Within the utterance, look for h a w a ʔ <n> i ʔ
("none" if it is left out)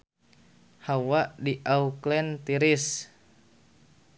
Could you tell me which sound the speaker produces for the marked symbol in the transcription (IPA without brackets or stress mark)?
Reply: d